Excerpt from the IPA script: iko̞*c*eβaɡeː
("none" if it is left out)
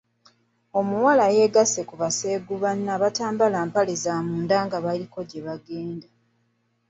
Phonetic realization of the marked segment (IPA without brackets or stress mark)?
ɟ